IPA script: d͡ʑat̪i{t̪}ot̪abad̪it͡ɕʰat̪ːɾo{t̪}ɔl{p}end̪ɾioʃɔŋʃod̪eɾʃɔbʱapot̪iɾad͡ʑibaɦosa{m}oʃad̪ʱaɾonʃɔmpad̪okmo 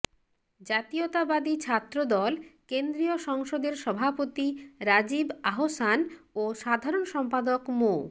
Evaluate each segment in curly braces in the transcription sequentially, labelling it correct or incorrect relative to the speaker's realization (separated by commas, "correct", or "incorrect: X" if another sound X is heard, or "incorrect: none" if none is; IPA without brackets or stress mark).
incorrect: none, incorrect: d̪, incorrect: k, incorrect: n